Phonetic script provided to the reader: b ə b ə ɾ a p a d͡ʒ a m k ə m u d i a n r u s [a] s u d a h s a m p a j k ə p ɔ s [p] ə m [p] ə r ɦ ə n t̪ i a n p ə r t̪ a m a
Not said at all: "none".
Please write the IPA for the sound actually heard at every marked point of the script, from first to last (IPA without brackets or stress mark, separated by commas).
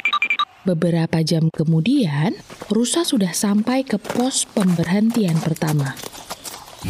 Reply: a, p, b